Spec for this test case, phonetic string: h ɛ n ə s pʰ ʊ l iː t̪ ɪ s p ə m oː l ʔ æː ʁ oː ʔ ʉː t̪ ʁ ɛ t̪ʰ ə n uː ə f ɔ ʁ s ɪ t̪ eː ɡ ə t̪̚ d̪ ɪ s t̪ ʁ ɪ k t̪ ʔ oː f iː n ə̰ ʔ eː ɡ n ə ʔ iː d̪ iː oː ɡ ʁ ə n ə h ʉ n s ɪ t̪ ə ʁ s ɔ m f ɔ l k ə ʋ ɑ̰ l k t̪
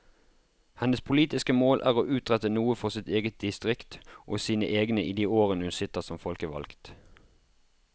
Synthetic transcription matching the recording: h ɛ n ə s pʰ ʊ l iː t̪ ɪ s k ə m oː l ʔ æː ʁ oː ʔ ʉː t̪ ʁ ɛ t̪ ə n uː ə f ɔ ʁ s ɪ t̪ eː ɡ ə t̪̚ d̪ ɪ s t̪ ʁ ɪ k t̪ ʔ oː s iː n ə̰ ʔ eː ɡ n ə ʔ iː d̪ iː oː ʁ ə n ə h ʉ n s ɪ t̪ ə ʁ s ɔ m f ɔ l k ə ʋ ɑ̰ l k t̪